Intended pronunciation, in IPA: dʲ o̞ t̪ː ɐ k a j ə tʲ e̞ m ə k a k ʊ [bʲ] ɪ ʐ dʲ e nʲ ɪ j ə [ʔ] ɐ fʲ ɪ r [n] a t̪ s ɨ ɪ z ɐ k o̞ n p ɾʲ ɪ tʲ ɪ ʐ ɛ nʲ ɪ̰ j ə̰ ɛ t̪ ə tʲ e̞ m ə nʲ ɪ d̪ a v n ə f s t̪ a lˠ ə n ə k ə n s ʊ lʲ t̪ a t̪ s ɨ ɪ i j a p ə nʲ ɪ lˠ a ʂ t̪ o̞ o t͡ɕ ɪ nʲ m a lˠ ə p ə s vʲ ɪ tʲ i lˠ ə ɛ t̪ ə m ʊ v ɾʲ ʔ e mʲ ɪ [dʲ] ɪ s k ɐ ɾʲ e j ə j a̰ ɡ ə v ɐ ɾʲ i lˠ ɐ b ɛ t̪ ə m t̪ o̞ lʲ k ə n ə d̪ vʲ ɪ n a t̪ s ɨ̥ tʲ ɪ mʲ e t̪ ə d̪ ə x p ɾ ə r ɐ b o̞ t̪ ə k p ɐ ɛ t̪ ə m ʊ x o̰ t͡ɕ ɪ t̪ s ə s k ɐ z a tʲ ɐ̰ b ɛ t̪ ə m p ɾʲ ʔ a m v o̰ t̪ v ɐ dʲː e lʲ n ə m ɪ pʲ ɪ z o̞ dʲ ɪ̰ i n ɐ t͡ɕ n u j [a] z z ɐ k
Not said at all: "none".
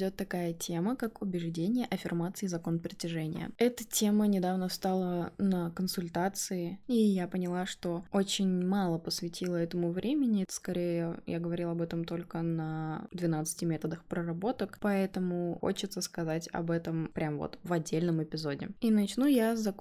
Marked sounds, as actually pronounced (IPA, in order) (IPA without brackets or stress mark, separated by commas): bʲ, ʔ, m, nʲ, a